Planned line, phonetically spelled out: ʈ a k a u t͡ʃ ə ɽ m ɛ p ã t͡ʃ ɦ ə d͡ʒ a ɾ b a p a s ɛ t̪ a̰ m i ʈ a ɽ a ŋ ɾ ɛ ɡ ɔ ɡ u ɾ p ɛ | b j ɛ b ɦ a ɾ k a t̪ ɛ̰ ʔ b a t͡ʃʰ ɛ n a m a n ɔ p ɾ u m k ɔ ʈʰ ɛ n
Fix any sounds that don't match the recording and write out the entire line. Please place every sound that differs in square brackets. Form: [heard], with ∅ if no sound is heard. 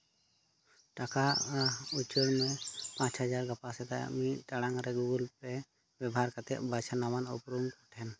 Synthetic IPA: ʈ a k a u t͡ʃ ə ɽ m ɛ p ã t͡ʃ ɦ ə d͡ʒ a ɾ [ɡ] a p a s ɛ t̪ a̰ m i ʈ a ɽ a ŋ ɾ ɛ ɡ [u] ɡ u [l] p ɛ | b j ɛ b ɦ a ɾ k a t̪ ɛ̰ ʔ b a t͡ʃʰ [a] n a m a n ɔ p ɾ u m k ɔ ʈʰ ɛ n